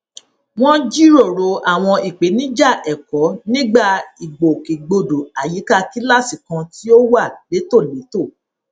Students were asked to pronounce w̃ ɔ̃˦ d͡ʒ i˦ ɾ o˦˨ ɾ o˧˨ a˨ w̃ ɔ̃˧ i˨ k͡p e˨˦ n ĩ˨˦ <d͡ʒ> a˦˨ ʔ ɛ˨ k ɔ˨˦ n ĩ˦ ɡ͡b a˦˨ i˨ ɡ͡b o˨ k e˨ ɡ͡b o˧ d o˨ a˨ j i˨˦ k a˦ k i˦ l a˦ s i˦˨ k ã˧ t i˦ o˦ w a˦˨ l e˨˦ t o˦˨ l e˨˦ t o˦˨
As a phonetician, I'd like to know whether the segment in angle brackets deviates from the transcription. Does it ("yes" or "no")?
no